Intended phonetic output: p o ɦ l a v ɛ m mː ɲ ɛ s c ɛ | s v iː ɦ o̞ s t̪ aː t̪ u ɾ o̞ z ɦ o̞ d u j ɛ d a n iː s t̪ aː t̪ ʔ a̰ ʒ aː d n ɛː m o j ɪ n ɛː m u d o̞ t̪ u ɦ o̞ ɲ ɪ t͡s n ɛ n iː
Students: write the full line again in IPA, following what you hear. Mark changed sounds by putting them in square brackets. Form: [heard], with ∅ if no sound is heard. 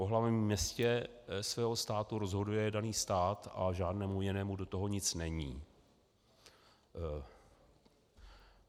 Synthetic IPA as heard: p o ɦ l a v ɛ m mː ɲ ɛ s c ɛ | s v [ɛː] ɦ o̞ s t̪ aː t̪ u ɾ o̞ z ɦ o̞ d u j ɛ d a n iː s t̪ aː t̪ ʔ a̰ ʒ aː d n ɛː m [u] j ɪ n ɛː m u d o̞ t̪ [o] ɦ o̞ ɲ ɪ t͡s n ɛ [ɲ] iː